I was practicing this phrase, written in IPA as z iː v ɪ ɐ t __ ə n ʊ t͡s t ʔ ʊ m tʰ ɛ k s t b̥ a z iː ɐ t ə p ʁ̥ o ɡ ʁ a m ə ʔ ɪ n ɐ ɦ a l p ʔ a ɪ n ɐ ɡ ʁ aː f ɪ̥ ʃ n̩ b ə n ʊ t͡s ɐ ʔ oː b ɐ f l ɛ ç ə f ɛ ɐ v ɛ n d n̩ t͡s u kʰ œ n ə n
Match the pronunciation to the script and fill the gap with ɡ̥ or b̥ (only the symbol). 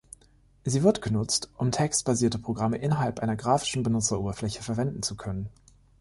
ɡ̥